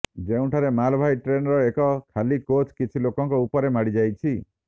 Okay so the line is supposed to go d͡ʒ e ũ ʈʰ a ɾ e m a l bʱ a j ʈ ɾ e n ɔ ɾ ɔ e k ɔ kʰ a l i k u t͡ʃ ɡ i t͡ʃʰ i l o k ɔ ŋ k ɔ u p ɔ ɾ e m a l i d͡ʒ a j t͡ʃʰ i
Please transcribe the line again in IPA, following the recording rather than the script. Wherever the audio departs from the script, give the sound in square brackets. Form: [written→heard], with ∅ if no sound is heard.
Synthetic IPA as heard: d͡ʒ e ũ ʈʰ a ɾ e m a l bʱ a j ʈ ɾ e n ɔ ɾ ɔ e k ɔ kʰ a l i k [u→o] t͡ʃ [ɡ→k] i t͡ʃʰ i l o k ɔ ŋ k ɔ u p ɔ ɾ e m a [l→ɽ] i d͡ʒ a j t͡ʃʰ i